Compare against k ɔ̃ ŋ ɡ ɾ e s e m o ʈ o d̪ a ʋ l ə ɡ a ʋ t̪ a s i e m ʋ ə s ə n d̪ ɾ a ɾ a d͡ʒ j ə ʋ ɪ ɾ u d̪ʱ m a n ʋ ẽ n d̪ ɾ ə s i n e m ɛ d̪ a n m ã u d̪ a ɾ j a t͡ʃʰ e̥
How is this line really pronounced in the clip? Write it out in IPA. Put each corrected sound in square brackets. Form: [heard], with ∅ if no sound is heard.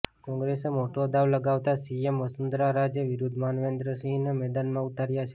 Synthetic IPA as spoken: k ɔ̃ ŋ ɡ ɾ e s e m o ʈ o d̪ a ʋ l ə ɡ a ʋ t̪ a s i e m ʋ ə s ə n d̪ ɾ a ɾ a d͡ʒ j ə ʋ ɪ ɾ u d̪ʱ m a n ʋ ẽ n d̪ ɾ ə s i n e m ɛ d̪ a n m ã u [t̪] a ɾ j a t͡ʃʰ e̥